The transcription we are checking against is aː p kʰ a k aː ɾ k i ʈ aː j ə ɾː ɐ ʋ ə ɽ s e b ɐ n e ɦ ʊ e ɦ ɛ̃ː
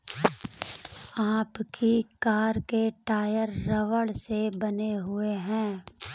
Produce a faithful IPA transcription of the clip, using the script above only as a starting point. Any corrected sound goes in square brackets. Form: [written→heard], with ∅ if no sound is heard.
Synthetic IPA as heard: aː p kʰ [a→i] k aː ɾ k [i→e] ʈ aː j ə ɾː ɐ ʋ ə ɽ s e b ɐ n e ɦ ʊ e ɦ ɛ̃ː

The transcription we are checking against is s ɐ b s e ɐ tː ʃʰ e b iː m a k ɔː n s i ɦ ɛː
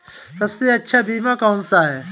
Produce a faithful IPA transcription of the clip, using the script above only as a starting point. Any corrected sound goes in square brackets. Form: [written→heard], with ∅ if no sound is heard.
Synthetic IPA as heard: s ɐ b s e ɐ tː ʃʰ [e→a] b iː m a k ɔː n s [i→a] ɦ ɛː

